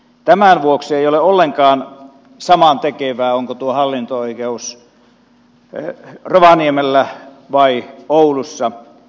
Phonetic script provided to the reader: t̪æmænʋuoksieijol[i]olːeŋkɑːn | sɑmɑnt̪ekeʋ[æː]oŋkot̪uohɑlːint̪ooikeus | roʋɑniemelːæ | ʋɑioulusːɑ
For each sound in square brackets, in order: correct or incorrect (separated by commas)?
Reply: incorrect, correct